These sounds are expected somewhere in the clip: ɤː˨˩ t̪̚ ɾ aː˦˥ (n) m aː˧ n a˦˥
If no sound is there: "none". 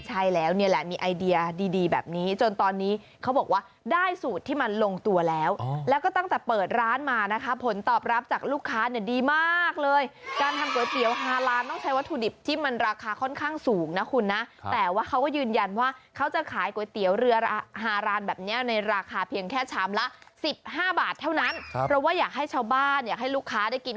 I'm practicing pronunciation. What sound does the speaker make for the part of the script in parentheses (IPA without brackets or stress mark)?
n